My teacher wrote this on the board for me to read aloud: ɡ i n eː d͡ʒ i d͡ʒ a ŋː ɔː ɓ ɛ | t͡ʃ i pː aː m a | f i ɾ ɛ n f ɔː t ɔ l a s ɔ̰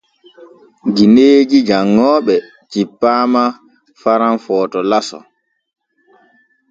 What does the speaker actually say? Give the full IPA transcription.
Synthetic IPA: ɡ i n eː d͡ʒ i d͡ʒ a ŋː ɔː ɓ ɛ | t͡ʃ i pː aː m a | f a ɾ a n f ɔː t ɔ l a s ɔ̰